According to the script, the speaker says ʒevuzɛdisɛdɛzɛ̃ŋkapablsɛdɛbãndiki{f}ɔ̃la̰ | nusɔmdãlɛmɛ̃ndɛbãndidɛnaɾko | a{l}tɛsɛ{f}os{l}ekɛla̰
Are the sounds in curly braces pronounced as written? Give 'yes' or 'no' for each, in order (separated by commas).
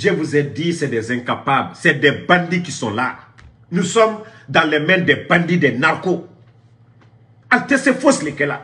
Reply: no, yes, yes, yes